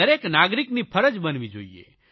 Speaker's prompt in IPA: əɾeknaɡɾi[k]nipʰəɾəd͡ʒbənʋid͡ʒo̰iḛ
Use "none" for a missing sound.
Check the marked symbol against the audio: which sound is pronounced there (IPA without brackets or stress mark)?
k